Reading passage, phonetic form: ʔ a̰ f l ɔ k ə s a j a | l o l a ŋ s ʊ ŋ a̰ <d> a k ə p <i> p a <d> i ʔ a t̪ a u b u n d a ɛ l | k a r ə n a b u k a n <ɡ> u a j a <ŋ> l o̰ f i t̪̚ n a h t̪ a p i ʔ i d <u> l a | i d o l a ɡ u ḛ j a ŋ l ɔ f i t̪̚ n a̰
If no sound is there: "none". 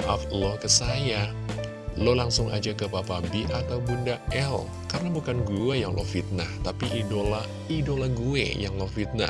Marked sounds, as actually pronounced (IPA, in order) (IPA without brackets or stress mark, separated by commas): d͡ʒ, a, b, ɡ, ŋ, o